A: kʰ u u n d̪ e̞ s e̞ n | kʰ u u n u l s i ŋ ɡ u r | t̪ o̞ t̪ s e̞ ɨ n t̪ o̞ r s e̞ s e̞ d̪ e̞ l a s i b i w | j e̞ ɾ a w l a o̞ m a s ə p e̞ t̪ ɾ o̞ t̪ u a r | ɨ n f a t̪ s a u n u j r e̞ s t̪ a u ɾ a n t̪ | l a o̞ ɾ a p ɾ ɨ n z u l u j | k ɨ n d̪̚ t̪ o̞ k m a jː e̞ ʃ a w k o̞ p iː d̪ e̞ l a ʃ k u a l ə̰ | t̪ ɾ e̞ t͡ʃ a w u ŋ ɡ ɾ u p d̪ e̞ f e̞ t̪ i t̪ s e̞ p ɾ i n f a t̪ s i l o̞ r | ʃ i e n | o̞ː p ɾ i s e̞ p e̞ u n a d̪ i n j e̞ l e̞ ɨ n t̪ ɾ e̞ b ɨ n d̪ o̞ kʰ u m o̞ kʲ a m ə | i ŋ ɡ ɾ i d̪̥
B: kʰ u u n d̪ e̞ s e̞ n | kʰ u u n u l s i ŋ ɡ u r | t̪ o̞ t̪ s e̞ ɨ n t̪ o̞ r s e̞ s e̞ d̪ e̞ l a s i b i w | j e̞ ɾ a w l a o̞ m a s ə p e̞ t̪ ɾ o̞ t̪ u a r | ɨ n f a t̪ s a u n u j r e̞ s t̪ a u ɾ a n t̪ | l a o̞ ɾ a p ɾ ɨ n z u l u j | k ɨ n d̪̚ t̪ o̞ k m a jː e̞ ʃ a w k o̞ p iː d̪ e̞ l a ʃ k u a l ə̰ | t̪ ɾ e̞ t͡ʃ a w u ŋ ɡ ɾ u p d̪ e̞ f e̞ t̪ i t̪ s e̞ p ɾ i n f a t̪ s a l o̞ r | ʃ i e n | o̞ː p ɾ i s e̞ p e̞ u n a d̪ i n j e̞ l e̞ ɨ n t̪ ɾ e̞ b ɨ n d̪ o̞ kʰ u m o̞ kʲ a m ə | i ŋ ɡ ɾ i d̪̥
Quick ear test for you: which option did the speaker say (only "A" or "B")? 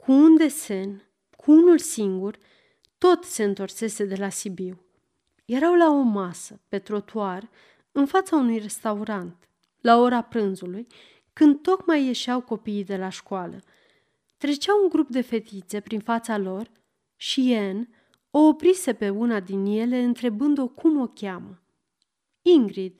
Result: B